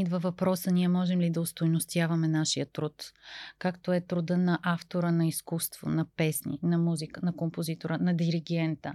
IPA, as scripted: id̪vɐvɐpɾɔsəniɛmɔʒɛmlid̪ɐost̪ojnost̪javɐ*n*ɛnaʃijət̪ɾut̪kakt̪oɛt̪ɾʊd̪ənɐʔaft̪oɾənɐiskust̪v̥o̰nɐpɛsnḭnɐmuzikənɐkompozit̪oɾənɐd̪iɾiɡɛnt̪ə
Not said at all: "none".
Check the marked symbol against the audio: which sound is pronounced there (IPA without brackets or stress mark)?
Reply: m